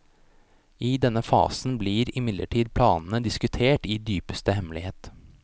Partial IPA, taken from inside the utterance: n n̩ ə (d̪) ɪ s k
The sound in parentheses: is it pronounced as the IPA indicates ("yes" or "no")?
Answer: yes